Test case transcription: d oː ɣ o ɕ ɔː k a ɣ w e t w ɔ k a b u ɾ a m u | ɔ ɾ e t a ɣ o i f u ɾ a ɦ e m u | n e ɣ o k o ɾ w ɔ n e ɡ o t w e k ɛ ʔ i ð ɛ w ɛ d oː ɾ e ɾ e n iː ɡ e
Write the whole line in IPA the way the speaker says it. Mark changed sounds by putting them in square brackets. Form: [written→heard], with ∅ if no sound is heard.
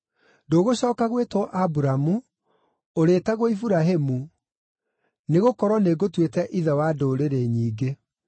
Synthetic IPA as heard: d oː ɣ o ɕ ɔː k a ɣ w e t w ɔ [k→ʔ] a b u ɾ a m u | [ɔ→o] ɾ e t a ɣ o i f u ɾ a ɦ e m u | n e ɣ o k [o→ɔ] ɾ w ɔ n e ɡ o t w e [k→t] ɛ ʔ i ð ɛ w [ɛ→a] d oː ɾ e ɾ e [n→ɲ] iː ɡ e